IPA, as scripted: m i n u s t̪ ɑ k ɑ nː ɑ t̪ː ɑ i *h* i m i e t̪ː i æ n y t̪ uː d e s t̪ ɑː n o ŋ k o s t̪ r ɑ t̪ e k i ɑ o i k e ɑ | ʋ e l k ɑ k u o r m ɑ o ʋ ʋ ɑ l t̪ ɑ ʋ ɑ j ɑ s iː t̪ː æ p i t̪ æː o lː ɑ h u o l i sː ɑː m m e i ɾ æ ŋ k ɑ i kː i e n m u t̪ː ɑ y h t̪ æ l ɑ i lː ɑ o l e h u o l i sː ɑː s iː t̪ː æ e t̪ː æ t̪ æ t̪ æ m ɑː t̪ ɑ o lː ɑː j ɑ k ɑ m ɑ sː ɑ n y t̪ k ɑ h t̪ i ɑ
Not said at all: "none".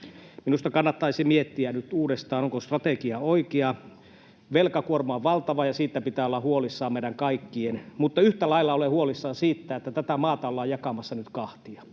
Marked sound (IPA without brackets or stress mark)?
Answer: s